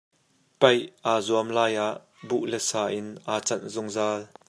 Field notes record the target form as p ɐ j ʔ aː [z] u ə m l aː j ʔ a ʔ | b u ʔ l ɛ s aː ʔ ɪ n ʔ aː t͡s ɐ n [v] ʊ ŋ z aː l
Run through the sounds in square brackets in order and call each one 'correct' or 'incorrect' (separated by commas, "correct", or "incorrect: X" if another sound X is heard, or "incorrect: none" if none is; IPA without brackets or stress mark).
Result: correct, incorrect: z